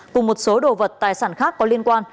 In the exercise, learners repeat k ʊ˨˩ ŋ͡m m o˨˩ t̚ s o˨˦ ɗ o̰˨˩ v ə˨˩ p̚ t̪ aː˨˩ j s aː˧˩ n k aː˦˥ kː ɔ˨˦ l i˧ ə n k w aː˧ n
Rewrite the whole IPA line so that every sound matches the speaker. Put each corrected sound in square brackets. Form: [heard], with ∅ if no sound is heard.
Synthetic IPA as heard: k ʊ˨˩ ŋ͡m m o˨˩ t̚ s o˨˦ ɗ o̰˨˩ v ə˨˩ [t̚] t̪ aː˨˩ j s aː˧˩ n [x] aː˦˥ kː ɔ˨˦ l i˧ ə n k w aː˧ n